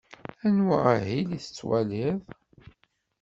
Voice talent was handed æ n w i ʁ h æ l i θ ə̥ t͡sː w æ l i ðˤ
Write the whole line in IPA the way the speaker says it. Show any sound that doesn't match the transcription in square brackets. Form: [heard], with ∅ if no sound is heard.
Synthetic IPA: æ n w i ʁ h [i] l i θ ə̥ t͡sː w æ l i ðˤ